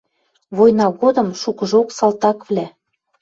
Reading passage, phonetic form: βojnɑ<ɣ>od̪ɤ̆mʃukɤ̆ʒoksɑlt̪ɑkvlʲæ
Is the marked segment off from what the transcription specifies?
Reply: no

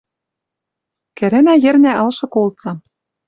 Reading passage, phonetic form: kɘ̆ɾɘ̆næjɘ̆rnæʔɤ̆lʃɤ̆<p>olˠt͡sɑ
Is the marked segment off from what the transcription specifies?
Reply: yes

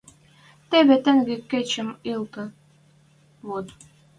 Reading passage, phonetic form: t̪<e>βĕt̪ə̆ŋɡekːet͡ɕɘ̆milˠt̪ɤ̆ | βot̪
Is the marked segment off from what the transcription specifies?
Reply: no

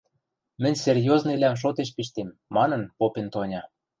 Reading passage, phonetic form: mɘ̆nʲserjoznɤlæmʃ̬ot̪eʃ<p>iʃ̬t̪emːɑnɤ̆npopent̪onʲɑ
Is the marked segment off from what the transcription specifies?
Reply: no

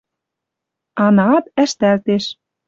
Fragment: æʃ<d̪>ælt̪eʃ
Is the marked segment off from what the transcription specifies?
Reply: yes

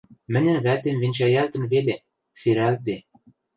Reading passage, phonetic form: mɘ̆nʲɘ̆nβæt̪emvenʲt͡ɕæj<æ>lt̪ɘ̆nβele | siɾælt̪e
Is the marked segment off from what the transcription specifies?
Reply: no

